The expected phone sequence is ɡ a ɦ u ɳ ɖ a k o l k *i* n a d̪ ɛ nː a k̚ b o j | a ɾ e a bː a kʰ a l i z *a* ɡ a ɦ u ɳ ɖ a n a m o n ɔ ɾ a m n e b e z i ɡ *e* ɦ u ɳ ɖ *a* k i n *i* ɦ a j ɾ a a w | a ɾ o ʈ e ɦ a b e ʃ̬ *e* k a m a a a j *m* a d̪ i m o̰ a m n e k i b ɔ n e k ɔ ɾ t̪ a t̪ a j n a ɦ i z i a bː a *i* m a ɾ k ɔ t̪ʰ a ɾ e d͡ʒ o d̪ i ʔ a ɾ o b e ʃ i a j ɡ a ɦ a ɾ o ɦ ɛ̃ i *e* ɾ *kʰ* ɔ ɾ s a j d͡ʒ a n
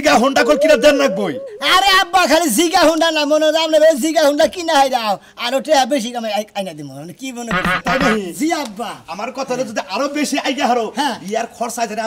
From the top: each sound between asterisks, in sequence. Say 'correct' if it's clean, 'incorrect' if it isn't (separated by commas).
correct, incorrect, incorrect, correct, incorrect, incorrect, incorrect, incorrect, incorrect, correct